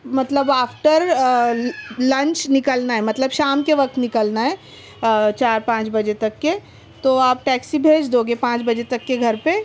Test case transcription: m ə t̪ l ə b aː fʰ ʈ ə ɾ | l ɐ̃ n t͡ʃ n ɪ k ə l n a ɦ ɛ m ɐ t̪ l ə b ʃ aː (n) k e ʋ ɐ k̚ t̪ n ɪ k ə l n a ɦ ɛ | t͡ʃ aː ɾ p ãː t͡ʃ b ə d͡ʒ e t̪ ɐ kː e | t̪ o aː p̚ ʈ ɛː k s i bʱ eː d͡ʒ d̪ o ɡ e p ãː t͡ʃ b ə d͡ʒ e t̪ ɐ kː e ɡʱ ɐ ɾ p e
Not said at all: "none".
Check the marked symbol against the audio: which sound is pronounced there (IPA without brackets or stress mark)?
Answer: m